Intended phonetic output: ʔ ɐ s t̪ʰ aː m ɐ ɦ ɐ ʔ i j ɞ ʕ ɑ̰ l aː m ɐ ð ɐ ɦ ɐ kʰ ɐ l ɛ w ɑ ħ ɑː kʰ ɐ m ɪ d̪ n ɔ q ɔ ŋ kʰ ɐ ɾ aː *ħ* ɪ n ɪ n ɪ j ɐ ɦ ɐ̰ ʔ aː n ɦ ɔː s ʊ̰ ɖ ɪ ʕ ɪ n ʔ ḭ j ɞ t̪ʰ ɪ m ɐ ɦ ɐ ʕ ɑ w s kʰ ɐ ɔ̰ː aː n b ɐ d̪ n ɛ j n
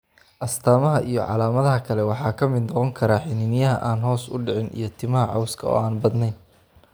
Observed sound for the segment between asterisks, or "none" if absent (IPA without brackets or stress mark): ħ